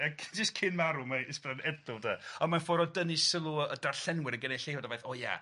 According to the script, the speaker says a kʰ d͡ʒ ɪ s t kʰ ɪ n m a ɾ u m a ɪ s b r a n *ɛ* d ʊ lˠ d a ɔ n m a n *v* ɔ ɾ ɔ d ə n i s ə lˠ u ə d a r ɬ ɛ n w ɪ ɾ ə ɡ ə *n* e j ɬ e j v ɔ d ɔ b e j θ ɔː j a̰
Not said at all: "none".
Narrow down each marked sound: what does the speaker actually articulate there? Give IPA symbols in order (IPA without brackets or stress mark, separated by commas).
ɛ, f, n